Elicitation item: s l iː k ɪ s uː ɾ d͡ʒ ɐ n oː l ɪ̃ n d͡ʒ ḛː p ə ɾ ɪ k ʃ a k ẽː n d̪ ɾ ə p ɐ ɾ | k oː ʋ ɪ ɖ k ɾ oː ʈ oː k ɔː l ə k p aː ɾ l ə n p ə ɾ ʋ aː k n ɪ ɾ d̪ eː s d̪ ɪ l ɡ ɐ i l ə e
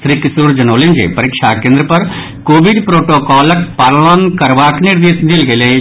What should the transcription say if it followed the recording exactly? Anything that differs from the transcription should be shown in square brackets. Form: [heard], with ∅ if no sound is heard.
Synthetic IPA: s [ɾ] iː k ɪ s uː ɾ d͡ʒ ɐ n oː l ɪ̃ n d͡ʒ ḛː p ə ɾ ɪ k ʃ a k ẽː n d̪ ɾ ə p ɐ ɾ | k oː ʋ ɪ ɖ [p] ɾ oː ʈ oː k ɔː l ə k p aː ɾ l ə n [k] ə ɾ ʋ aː k n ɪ ɾ d̪ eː s d̪ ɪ l ɡ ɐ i l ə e